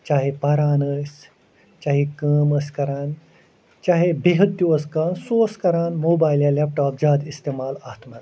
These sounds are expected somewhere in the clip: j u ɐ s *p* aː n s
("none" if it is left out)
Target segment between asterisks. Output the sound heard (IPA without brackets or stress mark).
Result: k